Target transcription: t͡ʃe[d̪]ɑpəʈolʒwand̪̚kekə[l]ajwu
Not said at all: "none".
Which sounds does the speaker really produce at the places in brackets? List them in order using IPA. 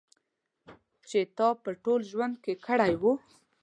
t̪, ɽ

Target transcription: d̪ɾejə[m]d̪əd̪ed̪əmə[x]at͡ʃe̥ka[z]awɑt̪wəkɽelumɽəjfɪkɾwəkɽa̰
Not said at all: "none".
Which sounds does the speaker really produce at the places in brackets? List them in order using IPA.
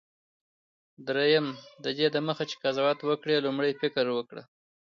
m, x, z

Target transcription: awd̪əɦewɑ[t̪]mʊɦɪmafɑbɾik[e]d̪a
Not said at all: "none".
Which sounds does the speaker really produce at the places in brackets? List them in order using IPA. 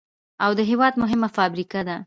d̪, a

